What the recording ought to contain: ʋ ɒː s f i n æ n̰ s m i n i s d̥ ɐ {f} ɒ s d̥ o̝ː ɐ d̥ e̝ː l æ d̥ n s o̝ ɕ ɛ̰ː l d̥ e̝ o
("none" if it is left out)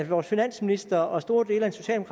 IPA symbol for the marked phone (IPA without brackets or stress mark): none